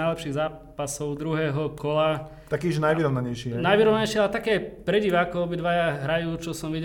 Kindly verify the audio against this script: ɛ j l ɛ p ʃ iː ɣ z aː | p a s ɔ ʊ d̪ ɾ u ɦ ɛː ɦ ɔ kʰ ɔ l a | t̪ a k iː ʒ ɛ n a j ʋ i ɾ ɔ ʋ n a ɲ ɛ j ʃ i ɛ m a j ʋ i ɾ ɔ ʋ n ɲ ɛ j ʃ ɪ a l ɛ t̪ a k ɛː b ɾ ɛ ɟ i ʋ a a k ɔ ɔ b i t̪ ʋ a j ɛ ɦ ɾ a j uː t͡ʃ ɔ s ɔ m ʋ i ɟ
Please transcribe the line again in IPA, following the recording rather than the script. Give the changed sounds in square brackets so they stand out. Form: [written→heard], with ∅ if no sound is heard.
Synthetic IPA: [ɛ→a] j l ɛ p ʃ iː ɣ z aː | p a s ɔ ʊ d̪ ɾ u ɦ ɛː ɦ ɔ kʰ ɔ l a | t̪ a k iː ʒ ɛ n a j ʋ i ɾ ɔ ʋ n a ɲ ɛ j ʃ i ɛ [m→n] a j ʋ i ɾ ɔ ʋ n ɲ ɛ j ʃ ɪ a l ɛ t̪ a k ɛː [b→p] ɾ ɛ ɟ i ʋ a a k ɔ ɔ b i [t̪→d̪] ʋ a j [ɛ→a] ɦ ɾ a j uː t͡ʃ ɔ s ɔ m ʋ i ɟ